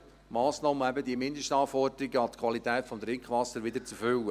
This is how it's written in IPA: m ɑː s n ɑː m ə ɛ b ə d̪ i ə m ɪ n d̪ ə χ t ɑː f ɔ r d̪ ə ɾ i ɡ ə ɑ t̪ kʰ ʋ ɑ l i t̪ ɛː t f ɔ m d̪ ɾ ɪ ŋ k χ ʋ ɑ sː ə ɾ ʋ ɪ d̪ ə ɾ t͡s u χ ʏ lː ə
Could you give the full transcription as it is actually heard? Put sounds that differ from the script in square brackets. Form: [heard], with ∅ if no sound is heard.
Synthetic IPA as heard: m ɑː s n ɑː m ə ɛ b ə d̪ i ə m ɪ n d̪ ə [ʃ] t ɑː f ɔ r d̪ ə ɾ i ɡ ə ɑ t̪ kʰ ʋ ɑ l i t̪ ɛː t f ɔ m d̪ ɾ ɪ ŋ k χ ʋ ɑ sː ə ɾ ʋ ɪ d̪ ə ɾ t͡s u [f] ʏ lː ə